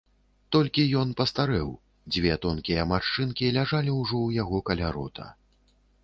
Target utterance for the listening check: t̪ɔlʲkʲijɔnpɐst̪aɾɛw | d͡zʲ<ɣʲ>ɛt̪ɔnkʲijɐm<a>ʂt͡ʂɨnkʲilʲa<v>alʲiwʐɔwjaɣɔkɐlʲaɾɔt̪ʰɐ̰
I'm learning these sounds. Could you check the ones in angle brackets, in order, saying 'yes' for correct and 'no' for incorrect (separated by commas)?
no, yes, no